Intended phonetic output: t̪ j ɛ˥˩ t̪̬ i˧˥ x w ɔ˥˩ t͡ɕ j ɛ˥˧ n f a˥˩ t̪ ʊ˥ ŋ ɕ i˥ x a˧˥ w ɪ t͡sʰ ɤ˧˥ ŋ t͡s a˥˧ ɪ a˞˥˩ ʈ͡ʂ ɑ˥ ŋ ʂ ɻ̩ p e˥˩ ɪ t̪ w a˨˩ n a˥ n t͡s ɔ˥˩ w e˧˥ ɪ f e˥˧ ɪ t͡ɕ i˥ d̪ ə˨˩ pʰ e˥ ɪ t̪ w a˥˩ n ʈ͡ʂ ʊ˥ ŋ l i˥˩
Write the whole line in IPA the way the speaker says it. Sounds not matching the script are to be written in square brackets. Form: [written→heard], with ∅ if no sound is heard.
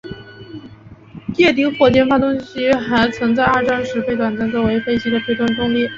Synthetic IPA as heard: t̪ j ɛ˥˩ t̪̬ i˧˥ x w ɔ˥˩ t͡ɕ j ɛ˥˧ n f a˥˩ t̪ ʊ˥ ŋ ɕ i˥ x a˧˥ [w→∅] ɪ t͡sʰ ɤ˧˥ ŋ t͡s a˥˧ ɪ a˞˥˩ ʈ͡ʂ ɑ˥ ŋ ʂ ɻ̩ p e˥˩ ɪ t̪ w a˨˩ n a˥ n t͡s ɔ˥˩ w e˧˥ ɪ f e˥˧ ɪ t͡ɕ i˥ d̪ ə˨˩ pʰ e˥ ɪ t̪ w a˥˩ n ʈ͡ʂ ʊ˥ ŋ l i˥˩

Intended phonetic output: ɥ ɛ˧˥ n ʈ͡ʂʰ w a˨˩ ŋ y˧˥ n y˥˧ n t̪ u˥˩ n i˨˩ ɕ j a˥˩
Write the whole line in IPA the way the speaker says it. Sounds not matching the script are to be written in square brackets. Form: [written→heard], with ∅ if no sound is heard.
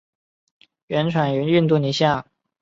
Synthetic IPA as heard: ɥ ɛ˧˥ n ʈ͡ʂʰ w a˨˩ [ŋ→n] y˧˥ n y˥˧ n t̪ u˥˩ n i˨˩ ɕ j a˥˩

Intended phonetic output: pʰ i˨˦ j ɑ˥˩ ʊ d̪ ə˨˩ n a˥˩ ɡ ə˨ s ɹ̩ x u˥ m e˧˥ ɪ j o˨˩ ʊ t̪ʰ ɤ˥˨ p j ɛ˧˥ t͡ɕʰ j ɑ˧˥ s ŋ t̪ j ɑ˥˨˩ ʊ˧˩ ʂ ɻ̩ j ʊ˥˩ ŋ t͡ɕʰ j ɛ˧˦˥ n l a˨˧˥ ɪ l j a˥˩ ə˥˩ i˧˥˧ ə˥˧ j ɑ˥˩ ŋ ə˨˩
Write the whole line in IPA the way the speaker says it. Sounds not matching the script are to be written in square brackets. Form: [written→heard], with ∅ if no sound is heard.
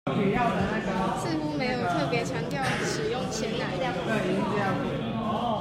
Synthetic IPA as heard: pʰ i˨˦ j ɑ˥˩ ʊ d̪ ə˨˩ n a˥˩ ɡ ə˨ s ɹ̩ x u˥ m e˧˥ ɪ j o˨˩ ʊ t̪ʰ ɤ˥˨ p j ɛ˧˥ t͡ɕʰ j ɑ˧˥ [s→∅] ŋ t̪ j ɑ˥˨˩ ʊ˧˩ ʂ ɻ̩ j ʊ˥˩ ŋ t͡ɕʰ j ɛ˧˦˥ n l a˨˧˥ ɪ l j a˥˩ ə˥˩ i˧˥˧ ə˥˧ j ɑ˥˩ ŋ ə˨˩

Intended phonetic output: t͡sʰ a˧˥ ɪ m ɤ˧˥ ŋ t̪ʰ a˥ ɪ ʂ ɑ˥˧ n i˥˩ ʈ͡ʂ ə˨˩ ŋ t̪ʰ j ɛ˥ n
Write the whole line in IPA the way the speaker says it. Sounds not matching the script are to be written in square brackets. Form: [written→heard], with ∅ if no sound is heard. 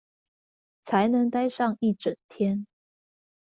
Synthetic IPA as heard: t͡sʰ a˧˥ ɪ [m→n] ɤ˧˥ ŋ [t̪ʰ→t̪] a˥ ɪ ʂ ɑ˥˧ [n→ŋ] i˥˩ ʈ͡ʂ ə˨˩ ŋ t̪ʰ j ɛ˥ n

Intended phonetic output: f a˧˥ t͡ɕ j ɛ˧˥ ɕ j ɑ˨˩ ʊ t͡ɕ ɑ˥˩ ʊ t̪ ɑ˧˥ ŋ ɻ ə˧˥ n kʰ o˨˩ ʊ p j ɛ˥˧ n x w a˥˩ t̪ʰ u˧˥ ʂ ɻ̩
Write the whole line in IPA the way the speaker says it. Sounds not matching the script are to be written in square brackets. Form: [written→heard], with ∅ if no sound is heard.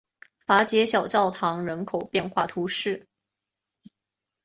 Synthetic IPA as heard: f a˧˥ t͡ɕ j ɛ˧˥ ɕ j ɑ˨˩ ʊ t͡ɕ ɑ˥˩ ʊ [t̪→t̪ʰ] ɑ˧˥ ŋ ɻ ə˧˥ n kʰ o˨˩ ʊ p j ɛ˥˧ n x w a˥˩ t̪ʰ u˧˥ ʂ ɻ̩

